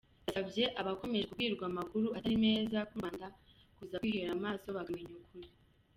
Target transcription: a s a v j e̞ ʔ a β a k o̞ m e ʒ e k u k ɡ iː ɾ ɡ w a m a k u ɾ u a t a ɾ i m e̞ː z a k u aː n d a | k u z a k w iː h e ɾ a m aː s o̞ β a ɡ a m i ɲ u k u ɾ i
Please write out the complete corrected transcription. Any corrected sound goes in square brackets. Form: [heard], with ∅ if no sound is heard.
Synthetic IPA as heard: a s a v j e̞ ʔ a β a k o̞ m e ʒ e k u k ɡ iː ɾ ɡ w a m a k u ɾ u a t a ɾ i m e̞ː z a k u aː n d a | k u z a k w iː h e ɾ a m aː s o̞ β a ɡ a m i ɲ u k u ɾ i

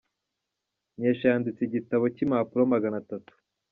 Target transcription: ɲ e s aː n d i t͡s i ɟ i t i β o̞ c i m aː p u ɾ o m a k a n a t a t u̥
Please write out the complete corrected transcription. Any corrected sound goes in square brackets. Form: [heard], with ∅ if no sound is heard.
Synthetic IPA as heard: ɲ e [ʃ] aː n d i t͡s i ɟ i t [a] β o̞ c i m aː p u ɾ o m a [ɡ] a n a t a t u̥

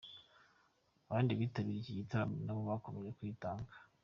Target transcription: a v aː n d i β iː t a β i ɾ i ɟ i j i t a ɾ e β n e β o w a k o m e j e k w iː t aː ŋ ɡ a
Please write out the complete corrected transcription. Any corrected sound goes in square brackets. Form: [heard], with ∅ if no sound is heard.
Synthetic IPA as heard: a [β] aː n d i β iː t a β i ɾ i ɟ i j i t a ɾ [a] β n [a] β o [β] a k o m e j e k w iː t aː ŋ ɡ a

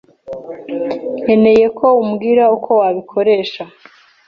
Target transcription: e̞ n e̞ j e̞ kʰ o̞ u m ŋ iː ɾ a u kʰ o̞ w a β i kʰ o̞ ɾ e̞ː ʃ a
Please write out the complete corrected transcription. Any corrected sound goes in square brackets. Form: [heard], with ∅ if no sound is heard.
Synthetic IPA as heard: e̞ n e̞ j e̞ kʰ o̞ u m [ɡ] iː ɾ a u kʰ o̞ w a β i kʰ o̞ ɾ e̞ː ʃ a

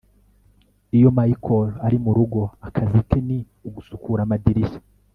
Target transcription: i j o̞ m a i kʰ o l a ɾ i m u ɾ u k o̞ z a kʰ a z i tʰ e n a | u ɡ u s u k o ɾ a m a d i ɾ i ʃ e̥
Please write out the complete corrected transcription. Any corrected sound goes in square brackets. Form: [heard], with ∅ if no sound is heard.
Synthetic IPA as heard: i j o̞ m a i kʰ o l a ɾ i m u ɾ u [ɡ] o̞ [∅] a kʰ a z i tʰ e n [i] | u ɡ u s u k [u] ɾ a m a d i ɾ i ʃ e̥

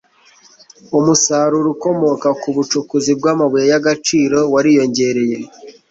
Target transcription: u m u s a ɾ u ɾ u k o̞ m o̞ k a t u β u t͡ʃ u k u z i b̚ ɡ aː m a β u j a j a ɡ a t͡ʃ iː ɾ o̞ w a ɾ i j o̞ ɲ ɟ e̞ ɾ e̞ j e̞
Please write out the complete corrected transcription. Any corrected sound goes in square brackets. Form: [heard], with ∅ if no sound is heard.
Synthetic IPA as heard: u m u s a ɾ u ɾ u k o̞ m o̞ k a [k] u β u t͡ʃ u k u z i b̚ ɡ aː m a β u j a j a ɡ a t͡ʃ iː ɾ o̞ w a ɾ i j o̞ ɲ ɟ e̞ ɾ e̞ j e̞

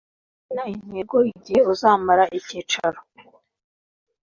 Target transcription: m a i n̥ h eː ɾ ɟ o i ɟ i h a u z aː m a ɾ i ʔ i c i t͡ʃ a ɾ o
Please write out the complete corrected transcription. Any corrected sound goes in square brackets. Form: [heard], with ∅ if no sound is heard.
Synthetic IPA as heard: [n] a i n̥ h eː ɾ [ɡ] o i ɟ i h [e] u z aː m a ɾ [a] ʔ i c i t͡ʃ a ɾ o

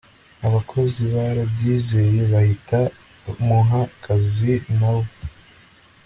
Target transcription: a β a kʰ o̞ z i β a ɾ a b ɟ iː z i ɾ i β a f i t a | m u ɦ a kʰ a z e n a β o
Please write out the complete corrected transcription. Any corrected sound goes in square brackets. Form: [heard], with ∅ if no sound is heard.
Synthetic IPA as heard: a β a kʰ o̞ z i β a ɾ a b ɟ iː z [e] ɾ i β a [h] i t a | m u ɦ a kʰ a z [i] n a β o

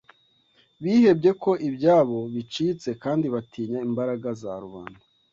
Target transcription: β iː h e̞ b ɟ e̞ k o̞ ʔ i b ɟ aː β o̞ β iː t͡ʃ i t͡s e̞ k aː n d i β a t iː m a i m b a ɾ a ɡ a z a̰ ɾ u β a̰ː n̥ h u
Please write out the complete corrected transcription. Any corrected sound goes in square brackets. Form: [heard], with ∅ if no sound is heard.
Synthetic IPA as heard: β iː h e̞ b ɟ e̞ k o̞ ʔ i b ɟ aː β o̞ β [i] t͡ʃ i t͡s e̞ k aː n d i β a t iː [ɲ] a i m b a ɾ a ɡ a z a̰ ɾ u β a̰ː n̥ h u

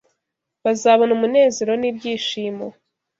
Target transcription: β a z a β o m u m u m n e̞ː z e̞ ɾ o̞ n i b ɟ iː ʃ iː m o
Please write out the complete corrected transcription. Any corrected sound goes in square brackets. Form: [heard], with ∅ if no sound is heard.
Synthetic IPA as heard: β a z a β o [n] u m u [∅] n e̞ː z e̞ ɾ o̞ n i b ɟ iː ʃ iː m o

